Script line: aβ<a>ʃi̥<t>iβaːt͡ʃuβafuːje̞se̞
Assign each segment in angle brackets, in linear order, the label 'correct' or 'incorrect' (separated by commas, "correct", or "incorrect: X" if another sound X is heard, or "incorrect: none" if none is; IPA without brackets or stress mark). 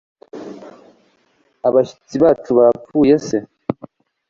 correct, incorrect: t͡s